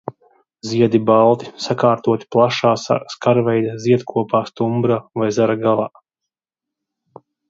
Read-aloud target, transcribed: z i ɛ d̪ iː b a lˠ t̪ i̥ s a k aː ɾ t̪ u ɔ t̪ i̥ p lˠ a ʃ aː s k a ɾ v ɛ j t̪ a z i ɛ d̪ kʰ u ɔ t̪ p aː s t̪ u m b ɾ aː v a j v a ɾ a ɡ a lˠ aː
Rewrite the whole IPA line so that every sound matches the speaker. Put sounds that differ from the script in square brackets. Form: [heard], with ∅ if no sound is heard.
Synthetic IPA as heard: z i ɛ d̪ [i] b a lˠ t̪ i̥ s a k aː ɾ t̪ u ɔ t̪ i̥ p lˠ a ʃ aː s k a ɾ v ɛ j [d̪] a z i ɛ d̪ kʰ u ɔ [∅] p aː s t̪ u m b ɾ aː v a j [z] a ɾ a ɡ a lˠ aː